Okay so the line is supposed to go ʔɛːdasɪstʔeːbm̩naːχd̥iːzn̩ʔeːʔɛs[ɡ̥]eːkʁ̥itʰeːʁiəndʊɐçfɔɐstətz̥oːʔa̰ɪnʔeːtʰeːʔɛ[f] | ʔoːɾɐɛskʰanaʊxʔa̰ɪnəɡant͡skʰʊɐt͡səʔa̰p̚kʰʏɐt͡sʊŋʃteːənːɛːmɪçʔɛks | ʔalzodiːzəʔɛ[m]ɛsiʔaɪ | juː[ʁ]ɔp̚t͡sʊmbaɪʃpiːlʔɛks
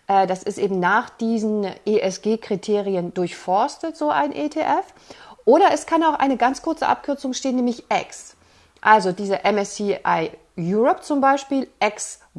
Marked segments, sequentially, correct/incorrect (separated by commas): correct, correct, correct, correct